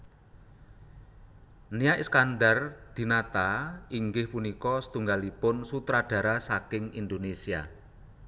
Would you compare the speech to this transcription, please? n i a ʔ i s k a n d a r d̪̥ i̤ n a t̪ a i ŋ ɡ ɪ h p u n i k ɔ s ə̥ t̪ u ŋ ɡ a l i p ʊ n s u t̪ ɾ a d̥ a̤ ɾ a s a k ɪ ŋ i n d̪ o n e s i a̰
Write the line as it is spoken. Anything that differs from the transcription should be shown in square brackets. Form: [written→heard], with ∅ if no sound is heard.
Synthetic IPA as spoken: n i a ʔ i s k a n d a r d̪̥ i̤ n a t̪ a i ŋ ɡ ɪ h p u n i k ɔ s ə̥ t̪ u ŋ ɡ a l i p ʊ n s u t̪ ɾ a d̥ a̤ ɾ a s a k ɪ ŋ i n d̪ o n e s i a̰